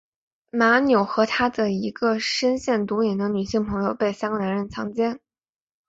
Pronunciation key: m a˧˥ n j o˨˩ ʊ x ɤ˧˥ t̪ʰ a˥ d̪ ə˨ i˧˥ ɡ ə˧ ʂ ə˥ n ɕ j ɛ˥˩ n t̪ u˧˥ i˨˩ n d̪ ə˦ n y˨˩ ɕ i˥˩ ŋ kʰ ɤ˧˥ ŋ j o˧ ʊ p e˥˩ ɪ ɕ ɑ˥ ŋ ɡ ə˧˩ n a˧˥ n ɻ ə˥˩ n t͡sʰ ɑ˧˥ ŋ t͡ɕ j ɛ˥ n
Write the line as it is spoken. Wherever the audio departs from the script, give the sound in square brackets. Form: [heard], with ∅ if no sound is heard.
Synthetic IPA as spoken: m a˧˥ n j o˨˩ ʊ x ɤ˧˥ t̪ʰ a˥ d̪ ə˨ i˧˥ ɡ ə˧ ʂ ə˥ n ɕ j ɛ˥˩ n t̪ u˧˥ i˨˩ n d̪ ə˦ n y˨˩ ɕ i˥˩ ŋ [pʰ] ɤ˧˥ ŋ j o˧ ʊ p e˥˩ ɪ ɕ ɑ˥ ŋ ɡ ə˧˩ n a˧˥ n ɻ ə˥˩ n t͡sʰ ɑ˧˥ ŋ t͡ɕ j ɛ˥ n